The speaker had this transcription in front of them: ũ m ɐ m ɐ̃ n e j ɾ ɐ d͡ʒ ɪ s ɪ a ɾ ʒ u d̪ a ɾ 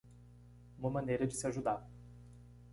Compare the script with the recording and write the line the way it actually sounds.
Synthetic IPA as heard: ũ m ɐ m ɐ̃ n e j ɾ ɐ d͡ʒ ɪ s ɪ a ʒ u d̪ a ɾ